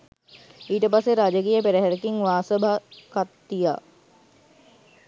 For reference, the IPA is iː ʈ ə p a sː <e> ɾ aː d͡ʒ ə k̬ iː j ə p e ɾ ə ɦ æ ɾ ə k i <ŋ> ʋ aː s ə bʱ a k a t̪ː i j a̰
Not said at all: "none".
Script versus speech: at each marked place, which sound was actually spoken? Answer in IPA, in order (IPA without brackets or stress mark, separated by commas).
e, ŋ